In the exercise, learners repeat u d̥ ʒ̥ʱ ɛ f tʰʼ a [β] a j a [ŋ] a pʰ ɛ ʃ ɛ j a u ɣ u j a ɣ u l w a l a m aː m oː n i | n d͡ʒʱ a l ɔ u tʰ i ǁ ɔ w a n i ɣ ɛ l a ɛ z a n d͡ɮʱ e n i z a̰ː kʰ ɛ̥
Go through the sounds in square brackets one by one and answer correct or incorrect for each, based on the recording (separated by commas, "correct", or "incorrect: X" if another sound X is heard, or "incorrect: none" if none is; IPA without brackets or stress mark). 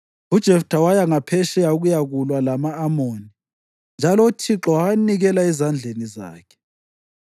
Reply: incorrect: w, correct